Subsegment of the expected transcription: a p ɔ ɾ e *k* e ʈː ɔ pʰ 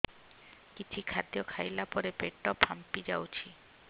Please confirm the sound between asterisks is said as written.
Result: no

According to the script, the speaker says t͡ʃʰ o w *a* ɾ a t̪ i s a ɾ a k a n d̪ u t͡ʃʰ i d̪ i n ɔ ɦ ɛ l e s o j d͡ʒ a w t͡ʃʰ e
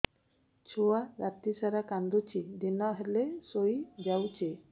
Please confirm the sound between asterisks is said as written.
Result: yes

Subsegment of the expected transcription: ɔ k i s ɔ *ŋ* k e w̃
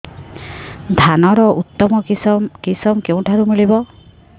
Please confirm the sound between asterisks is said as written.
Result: no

